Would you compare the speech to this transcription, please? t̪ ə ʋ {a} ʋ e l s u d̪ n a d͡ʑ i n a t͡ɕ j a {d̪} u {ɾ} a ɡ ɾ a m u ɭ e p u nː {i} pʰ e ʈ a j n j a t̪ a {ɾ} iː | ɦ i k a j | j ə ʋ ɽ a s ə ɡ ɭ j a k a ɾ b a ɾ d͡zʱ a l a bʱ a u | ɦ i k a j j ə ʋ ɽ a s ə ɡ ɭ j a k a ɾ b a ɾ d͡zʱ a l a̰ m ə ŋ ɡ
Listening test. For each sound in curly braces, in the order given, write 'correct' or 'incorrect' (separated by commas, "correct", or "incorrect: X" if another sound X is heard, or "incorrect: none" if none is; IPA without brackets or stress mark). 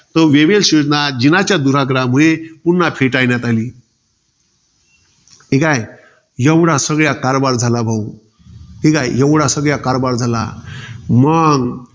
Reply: incorrect: e, correct, correct, incorrect: a, incorrect: l